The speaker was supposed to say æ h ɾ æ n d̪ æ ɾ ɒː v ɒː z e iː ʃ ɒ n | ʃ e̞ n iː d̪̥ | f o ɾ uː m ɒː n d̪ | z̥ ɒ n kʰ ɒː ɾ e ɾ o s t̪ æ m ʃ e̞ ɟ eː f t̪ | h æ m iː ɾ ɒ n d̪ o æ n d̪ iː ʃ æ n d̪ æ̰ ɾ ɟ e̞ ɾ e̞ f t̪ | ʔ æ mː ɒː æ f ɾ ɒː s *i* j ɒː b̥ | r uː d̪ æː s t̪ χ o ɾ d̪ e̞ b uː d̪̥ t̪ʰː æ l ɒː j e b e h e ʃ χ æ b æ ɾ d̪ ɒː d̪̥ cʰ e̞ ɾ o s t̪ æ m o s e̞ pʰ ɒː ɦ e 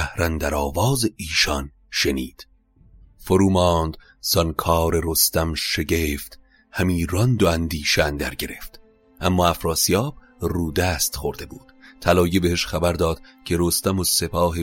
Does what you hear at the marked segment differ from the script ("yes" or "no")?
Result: no